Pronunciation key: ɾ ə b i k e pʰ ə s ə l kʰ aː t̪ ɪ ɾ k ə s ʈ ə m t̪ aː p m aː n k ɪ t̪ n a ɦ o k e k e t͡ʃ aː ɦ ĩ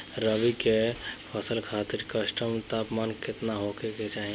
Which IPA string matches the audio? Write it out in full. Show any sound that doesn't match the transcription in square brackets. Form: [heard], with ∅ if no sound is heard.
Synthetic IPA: ɾ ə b i k e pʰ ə s ə l kʰ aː t̪ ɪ ɾ k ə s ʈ ə m t̪ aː p m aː n k ɪ t̪ n a ɦ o k e k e t͡ʃ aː ɦ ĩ